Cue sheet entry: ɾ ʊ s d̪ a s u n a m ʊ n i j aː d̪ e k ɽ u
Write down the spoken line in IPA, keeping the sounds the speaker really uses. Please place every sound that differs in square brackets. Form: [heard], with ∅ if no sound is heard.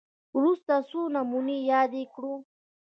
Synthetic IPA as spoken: ɾ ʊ s [t̪] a s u n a m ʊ n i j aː d̪ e k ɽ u